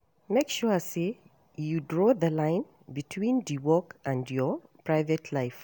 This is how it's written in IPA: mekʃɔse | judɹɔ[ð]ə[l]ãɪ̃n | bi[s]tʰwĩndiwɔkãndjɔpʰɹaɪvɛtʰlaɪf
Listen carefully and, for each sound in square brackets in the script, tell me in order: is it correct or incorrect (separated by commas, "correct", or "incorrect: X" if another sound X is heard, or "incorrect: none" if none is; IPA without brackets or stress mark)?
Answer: correct, correct, incorrect: none